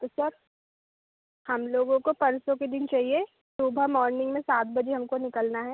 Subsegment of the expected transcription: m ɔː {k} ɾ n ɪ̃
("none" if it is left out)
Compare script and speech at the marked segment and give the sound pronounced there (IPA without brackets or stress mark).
none